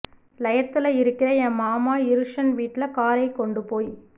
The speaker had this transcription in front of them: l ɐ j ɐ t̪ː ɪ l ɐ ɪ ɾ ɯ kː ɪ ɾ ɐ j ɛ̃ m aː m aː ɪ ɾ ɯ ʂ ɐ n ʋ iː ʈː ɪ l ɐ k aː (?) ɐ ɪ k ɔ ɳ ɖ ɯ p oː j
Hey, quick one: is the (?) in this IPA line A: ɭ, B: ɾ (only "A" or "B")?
B